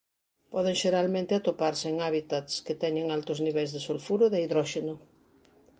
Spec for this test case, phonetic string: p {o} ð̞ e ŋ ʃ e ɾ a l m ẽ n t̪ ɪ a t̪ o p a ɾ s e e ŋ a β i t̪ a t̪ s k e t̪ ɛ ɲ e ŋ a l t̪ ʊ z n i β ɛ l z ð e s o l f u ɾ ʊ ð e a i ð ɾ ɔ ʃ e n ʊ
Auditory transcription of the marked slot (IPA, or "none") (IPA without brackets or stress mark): ɔ